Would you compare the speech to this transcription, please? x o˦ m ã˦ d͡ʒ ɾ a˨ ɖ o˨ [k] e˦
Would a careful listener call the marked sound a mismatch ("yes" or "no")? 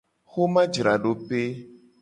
yes